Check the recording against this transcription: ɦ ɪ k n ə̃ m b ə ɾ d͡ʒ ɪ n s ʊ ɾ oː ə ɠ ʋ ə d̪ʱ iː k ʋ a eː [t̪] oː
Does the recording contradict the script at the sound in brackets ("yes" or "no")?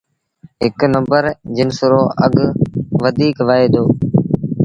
yes